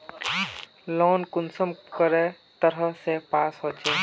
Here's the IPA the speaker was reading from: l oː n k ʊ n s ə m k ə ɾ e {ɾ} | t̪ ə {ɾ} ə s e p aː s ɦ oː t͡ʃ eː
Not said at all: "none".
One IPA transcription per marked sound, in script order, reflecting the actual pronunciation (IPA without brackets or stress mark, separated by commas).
none, ɾ